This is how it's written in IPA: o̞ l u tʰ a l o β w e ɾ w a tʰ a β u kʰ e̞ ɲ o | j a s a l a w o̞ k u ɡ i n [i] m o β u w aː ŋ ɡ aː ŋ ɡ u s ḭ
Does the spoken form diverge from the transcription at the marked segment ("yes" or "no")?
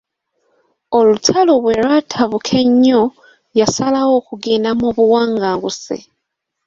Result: yes